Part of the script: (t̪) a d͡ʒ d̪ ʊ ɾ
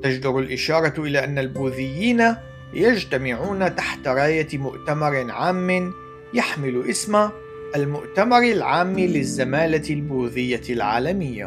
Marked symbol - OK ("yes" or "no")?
yes